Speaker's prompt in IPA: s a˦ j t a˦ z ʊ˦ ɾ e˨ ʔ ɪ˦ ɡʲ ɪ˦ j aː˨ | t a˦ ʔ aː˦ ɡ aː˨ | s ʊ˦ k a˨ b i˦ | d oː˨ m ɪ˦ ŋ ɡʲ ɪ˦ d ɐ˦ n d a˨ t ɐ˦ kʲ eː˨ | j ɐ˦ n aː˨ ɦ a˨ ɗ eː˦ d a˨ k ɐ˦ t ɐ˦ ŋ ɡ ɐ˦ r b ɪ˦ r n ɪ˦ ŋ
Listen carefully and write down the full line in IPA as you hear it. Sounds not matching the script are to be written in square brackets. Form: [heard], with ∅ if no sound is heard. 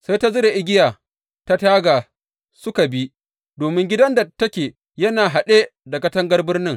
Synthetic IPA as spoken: s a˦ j t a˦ z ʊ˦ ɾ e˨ ʔ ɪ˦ ɡʲ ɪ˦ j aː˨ | t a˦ [t] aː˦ ɡ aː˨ | s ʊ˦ k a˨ b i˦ | d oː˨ m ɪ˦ ŋ ɡʲ ɪ˦ d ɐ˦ n d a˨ t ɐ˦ kʲ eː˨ | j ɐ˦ n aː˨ ɦ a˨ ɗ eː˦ d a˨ k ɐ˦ t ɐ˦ ŋ ɡ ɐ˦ r b ɪ˦ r n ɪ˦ ŋ

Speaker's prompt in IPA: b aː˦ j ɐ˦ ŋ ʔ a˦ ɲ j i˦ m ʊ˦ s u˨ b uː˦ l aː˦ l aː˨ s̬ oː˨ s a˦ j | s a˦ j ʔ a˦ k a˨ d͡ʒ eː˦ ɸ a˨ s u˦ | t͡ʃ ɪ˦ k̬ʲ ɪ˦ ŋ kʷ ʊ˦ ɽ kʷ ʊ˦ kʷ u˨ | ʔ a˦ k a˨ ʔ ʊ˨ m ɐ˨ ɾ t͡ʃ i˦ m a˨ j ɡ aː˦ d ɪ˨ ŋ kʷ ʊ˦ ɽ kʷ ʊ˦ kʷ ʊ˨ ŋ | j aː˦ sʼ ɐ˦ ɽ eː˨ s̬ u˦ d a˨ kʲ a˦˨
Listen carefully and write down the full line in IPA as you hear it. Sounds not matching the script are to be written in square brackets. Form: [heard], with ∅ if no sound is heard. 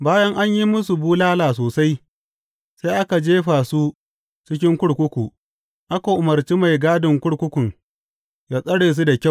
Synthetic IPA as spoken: b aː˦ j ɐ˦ ŋ ʔ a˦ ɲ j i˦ m ʊ˦ s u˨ b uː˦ l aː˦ l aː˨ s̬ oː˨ s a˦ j | s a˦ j ʔ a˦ k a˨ d͡ʒ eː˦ ɸ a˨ s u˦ | t͡ʃ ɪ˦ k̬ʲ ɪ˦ ŋ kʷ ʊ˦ ɽ kʷ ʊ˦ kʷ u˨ | ʔ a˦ k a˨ ʔ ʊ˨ m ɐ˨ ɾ t͡ʃ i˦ m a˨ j ɡ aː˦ d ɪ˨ ŋ kʷ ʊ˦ ɽ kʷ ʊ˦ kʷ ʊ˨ ŋ | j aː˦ sʼ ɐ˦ ɽ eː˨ s̬ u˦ d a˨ kʲ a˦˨

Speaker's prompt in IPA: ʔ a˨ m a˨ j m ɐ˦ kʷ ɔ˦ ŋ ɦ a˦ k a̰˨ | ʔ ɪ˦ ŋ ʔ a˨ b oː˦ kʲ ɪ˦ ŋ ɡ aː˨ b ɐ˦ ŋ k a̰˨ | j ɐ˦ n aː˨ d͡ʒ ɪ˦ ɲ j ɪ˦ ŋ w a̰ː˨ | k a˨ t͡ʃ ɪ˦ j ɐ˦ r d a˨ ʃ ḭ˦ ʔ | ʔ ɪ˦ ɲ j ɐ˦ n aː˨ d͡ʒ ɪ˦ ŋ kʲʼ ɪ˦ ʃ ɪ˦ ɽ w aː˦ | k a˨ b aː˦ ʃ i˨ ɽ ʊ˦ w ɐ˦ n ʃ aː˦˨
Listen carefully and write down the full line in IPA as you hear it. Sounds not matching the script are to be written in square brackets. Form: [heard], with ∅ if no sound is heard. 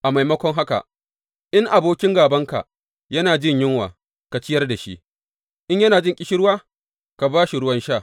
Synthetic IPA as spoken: ʔ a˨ m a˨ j m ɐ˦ kʷ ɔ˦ ŋ ɦ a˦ k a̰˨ | ʔ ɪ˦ ŋ ʔ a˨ b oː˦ kʲ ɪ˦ ŋ ɡ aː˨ b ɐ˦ ŋ k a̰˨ | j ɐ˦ n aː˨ d͡ʒ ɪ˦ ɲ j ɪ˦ ŋ w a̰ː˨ | k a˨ t͡ʃ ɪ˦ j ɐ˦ r d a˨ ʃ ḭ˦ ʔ | ʔ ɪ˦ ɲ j ɐ˦ n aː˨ d͡ʒ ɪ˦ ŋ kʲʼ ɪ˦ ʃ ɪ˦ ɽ w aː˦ | k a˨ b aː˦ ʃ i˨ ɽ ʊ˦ w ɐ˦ n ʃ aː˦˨

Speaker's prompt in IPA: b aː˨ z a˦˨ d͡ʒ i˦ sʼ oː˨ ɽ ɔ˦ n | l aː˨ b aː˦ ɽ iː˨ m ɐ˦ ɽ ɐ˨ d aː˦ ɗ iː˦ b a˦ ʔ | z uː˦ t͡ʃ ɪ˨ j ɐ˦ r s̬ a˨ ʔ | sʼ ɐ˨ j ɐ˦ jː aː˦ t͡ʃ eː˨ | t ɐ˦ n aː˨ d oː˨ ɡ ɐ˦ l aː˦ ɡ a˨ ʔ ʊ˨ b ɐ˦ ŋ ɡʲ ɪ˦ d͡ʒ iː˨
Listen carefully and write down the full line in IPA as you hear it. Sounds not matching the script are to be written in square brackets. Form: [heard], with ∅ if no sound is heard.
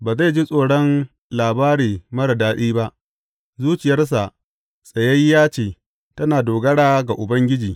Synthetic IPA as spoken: b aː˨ z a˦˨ d͡ʒ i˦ sʼ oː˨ ɽ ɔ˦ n | l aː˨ b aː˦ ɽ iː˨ m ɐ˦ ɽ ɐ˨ d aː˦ ɗ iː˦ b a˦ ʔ | z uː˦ t͡ʃ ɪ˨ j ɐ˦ r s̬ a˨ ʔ | sʼ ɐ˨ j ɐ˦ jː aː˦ t͡ʃ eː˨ | t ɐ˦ n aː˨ d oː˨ ɡ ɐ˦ [ɽ] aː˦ ɡ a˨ ʔ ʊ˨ b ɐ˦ ŋ ɡʲ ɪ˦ d͡ʒ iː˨

